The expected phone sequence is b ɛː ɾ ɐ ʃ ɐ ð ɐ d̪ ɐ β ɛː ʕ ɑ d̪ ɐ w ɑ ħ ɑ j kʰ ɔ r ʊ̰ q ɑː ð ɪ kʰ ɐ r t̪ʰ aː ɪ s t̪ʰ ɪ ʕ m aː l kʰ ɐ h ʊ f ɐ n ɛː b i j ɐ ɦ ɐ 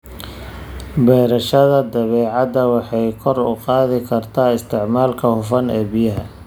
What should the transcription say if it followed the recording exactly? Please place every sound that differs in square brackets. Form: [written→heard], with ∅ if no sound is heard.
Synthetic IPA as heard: b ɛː ɾ ɐ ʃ ɐ ð ɐ d̪ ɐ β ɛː ʕ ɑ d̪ ɐ w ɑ ħ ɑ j kʰ ɔ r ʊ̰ q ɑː ð ɪ kʰ ɐ r t̪ʰ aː ɪ s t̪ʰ ɪ ʕ m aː l kʰ ɐ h ʊ f ɐ n ɛː b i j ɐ ɦ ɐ